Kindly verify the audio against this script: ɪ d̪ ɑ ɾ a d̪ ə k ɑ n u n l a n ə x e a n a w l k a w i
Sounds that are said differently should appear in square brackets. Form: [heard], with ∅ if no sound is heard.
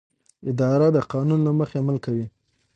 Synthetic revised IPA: ɪ d̪ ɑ ɾ a d̪ ə [q] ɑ n u n l a [m] ə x e a [m] a [∅] l k a w i